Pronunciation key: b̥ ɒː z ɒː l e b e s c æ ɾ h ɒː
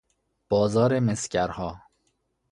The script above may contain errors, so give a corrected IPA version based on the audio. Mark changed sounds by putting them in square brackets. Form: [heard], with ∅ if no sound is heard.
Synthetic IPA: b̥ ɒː z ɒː [ɾ] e [m] e s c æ ɾ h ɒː

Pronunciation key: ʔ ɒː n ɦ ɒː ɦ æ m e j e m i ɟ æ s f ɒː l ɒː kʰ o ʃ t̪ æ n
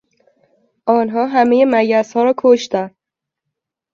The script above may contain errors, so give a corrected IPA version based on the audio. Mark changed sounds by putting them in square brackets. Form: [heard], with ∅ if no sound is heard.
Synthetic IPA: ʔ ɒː n ɦ ɒː ɦ æ m e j e m [æ] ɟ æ s [h] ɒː [ɾ] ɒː kʰ o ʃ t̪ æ n

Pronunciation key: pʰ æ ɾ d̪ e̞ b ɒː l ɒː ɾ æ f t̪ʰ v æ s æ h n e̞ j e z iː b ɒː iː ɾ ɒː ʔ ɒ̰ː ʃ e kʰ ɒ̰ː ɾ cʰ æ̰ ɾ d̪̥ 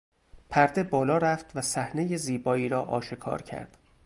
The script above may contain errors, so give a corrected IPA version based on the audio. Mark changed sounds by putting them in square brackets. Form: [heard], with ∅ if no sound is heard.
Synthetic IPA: pʰ æ ɾ d̪ e̞ b ɒː l ɒː ɾ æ f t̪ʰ v æ s æ h n e̞ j e z iː b ɒː iː ɾ ɒː ʔ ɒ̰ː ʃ e kʰ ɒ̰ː ɾ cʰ æ̰ ɾ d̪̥

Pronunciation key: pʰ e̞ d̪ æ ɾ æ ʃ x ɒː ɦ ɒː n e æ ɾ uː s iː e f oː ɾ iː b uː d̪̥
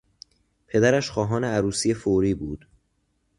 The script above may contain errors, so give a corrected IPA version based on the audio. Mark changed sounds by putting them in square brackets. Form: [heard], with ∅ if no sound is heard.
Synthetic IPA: pʰ e̞ d̪ æ ɾ æ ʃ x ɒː ɦ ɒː n e æ ɾ uː s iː e f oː ɾ iː b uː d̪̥

